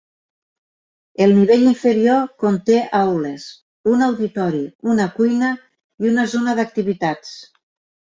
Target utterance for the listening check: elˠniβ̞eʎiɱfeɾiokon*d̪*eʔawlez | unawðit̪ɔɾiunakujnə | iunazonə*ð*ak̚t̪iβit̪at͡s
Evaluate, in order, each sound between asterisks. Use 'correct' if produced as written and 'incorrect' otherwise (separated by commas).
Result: incorrect, correct